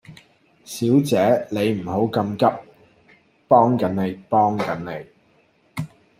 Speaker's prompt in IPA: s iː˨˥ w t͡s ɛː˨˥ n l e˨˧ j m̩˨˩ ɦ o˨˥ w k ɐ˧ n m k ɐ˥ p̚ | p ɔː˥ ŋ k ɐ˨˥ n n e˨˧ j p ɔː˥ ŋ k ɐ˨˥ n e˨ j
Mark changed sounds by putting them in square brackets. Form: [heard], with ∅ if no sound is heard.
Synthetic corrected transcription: s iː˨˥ w t͡s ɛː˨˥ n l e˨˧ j m̩˨˩ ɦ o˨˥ w k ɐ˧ [∅] m k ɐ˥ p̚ | p ɔː˥ ŋ k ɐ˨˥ n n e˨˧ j p ɔː˥ ŋ k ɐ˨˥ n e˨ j

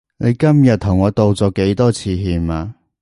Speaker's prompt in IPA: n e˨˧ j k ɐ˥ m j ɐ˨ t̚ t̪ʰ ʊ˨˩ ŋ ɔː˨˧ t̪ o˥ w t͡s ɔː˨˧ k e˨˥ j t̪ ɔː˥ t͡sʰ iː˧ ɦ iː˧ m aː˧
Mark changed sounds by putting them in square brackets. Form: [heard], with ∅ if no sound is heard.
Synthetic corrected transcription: n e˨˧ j k ɐ˥ m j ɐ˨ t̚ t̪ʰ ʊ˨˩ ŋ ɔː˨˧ t̪ [o˨] w t͡s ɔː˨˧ k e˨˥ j t̪ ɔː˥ t͡sʰ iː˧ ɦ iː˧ m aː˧

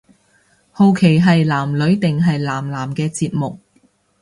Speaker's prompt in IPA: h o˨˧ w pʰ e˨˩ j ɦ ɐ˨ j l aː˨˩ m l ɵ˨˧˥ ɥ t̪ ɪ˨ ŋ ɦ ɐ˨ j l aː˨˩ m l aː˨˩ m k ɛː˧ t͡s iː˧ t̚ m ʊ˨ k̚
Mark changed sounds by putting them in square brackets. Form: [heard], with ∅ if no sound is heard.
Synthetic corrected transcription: h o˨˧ w [kʰ] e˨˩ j ɦ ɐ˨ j l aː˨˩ m l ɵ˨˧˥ ɥ t̪ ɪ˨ ŋ ɦ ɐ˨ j l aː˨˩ m l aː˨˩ m k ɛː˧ t͡s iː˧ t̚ m ʊ˨ k̚

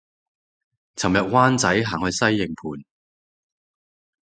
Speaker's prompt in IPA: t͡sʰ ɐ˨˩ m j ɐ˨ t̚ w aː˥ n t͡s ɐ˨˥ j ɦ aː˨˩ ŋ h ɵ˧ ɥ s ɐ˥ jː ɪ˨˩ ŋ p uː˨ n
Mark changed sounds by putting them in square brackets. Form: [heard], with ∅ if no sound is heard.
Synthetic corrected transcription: t͡sʰ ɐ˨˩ m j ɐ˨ t̚ w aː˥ n t͡s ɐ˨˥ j ɦ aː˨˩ ŋ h ɵ˧ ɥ s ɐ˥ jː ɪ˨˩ ŋ [pʰ] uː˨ n

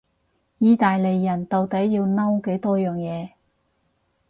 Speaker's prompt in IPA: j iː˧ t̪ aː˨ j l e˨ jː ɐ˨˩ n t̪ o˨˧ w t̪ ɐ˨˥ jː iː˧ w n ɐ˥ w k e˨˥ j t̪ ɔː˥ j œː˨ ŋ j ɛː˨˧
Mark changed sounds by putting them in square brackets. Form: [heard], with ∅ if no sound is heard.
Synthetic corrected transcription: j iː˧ t̪ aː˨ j l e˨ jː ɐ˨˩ n t̪ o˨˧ w t̪ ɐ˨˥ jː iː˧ w n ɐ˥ w k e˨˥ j t̪ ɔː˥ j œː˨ ŋ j ɛː˨˧

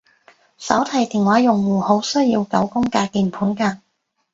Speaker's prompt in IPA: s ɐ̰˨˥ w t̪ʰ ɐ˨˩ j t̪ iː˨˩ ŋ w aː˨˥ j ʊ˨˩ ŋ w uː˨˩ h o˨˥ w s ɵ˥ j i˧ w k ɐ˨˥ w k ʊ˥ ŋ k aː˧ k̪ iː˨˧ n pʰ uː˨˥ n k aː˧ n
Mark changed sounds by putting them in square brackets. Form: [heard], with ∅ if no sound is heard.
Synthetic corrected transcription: s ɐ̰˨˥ w t̪ʰ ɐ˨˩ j t̪ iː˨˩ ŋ w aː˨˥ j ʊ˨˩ ŋ w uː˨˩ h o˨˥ w s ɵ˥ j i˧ w k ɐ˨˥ w k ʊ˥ ŋ k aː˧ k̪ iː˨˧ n pʰ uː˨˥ n k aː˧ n

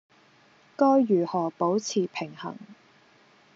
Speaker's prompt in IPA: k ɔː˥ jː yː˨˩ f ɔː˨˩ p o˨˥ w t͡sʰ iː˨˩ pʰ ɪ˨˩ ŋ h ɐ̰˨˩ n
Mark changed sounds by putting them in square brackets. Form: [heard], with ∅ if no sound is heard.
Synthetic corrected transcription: k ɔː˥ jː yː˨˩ [h] ɔː˨˩ p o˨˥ w t͡sʰ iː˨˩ pʰ ɪ˨˩ ŋ h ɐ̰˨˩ [ŋ]

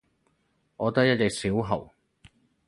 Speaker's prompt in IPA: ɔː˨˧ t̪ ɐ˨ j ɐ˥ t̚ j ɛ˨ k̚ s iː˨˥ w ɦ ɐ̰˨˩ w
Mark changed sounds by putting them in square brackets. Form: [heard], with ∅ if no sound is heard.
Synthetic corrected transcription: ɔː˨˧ t̪ [ɐ˥] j ɐ˥ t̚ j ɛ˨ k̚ s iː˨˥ w ɦ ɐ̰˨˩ w

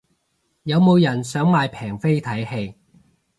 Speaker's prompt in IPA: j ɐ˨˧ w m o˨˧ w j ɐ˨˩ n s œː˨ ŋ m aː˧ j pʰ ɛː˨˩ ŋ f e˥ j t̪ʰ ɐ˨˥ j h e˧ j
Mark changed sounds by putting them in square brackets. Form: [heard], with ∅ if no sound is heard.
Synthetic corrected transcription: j ɐ˨˧ w m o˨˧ w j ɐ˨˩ n s [œː˨˥] ŋ m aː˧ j pʰ ɛː˨˩ ŋ f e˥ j t̪ʰ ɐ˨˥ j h e˧ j

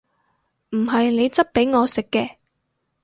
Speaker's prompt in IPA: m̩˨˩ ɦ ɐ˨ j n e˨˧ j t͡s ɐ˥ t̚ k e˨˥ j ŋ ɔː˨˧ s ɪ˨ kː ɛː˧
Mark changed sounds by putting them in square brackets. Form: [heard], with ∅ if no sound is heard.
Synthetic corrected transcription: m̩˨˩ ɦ ɐ˨ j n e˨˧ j t͡s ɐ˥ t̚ [p] e˨˥ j ŋ ɔː˨˧ s ɪ˨ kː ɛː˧

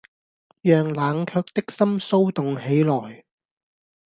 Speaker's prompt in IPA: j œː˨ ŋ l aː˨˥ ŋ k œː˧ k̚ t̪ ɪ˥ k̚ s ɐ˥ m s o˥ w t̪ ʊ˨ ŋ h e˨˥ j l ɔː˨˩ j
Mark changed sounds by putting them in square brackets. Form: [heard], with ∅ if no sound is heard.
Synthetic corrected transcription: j œː˨ ŋ l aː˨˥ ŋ [kʰ] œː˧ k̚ t̪ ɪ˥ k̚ s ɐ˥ m s o˥ w t̪ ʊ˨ ŋ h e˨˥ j l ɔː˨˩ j

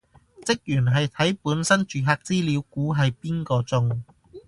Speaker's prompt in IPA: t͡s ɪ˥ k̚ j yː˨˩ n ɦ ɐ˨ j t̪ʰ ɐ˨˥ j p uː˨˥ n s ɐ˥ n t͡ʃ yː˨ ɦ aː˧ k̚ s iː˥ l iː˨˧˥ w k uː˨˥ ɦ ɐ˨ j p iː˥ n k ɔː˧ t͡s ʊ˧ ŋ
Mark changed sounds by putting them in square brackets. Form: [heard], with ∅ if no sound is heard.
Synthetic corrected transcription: t͡s ɪ˥ k̚ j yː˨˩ n ɦ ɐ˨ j t̪ʰ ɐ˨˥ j p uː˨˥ n s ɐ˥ n t͡ʃ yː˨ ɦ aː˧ k̚ [t͡s] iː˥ l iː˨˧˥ w k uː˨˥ ɦ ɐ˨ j p iː˥ n k ɔː˧ t͡s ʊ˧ ŋ

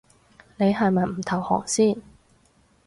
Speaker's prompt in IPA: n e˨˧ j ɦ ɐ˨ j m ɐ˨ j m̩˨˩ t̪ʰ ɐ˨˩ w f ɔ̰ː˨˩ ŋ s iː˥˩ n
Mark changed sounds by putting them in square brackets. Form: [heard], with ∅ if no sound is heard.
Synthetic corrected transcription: n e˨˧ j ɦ ɐ˨ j m ɐ˨ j m̩˨˩ t̪ʰ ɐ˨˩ w [h] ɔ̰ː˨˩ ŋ s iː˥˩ n

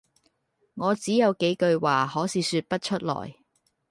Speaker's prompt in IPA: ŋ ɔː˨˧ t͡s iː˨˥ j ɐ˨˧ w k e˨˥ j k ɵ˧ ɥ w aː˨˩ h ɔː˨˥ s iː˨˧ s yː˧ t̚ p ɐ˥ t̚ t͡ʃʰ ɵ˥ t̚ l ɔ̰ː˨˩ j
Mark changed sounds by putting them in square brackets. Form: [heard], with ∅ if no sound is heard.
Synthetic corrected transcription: ŋ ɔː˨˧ t͡s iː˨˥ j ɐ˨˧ w k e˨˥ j k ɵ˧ ɥ w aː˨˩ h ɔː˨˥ s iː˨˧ s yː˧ t̚ p ɐ˥ t̚ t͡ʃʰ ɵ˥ t̚ l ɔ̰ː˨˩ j

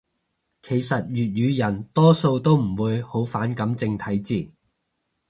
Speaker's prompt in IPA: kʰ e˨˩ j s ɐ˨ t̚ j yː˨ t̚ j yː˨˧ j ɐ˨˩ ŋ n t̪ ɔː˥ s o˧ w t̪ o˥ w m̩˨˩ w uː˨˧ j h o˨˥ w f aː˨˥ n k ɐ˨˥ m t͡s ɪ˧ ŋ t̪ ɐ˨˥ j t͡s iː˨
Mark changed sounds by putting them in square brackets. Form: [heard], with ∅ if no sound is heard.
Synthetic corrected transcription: kʰ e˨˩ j s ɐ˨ t̚ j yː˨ t̚ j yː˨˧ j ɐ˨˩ [∅] n t̪ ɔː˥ s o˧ w t̪ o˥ w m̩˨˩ w uː˨˧ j h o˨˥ w f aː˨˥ n k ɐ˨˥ m t͡s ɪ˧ ŋ [t̪ʰ] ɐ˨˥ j t͡s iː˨

